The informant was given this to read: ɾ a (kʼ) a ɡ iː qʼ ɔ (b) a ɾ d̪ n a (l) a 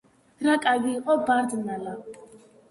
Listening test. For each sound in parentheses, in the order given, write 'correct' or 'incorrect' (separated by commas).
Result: correct, correct, correct